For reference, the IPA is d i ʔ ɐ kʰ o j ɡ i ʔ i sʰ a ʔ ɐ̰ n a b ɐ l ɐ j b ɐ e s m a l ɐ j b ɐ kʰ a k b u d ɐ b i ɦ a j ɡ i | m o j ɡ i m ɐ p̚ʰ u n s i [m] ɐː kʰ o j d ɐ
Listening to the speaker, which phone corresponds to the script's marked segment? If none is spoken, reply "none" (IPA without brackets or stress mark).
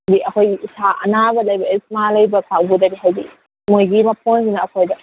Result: n